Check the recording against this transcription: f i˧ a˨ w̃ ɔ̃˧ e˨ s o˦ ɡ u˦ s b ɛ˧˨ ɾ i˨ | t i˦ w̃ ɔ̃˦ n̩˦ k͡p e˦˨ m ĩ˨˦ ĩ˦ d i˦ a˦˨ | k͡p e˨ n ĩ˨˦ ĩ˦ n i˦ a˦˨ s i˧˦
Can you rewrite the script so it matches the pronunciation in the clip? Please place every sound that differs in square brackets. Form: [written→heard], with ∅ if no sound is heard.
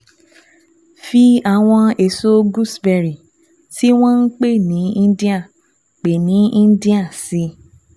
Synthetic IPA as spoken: f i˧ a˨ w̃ ɔ̃˧ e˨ s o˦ ɡ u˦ s b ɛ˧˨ ɾ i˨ | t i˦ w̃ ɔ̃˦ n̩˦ k͡p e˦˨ [m→n] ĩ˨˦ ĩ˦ d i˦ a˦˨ | k͡p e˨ n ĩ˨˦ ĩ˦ [n→d] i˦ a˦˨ s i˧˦